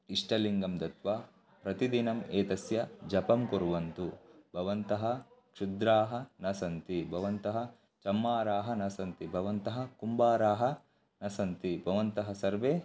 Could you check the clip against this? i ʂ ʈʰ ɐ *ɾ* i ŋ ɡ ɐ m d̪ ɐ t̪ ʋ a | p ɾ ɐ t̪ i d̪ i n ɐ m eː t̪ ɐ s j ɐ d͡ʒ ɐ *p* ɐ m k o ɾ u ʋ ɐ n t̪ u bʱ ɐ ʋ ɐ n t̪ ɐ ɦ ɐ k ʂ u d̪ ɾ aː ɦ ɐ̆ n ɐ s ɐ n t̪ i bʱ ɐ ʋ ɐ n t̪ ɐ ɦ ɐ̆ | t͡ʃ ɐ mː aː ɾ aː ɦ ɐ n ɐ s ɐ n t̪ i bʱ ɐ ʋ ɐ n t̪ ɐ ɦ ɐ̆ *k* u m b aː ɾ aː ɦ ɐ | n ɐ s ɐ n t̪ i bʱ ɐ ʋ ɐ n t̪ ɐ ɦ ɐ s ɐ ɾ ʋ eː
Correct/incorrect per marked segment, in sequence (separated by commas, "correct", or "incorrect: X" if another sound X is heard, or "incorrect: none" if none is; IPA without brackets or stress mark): incorrect: l, correct, correct